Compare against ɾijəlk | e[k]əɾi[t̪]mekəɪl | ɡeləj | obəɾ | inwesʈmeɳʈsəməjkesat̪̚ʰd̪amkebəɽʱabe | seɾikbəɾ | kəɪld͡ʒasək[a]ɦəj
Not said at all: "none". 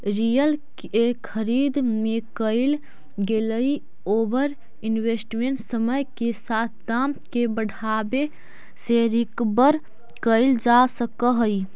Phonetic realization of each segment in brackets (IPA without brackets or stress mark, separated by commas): kʰ, d̪, ə